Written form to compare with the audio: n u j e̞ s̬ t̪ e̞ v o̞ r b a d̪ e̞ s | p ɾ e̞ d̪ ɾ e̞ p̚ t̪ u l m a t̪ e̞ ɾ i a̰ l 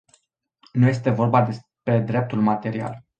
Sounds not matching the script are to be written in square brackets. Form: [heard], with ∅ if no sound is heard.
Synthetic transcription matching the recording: n u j e̞ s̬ t̪ e̞ v o̞ r b a d̪ e̞ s | p ɾ e̞ d̪ ɾ e̞ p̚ t̪ u l m a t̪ e̞ ɾ i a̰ l